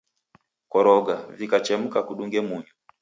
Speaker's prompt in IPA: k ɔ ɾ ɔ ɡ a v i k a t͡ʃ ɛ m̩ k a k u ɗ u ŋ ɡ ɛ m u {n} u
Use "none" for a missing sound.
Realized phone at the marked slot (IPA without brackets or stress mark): ɲ